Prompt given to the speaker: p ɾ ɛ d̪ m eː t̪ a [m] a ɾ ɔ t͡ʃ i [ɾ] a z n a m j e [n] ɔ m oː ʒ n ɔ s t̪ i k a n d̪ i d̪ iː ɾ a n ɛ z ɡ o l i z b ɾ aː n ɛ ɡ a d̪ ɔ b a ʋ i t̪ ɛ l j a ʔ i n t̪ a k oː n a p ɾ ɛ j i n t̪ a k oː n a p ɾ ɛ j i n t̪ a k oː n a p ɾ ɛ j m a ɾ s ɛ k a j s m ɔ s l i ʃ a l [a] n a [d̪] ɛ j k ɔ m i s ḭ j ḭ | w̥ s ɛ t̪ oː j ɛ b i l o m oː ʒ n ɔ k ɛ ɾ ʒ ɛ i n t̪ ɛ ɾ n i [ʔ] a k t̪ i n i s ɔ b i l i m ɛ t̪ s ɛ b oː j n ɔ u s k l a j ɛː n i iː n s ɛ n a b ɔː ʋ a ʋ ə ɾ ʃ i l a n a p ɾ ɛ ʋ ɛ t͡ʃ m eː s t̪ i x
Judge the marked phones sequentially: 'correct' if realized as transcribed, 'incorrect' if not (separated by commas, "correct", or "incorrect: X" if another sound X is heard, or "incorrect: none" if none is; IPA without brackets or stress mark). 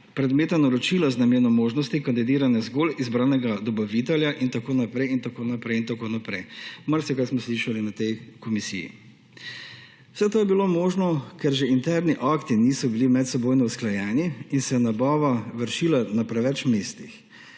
incorrect: n, incorrect: l, correct, incorrect: i, incorrect: t̪, correct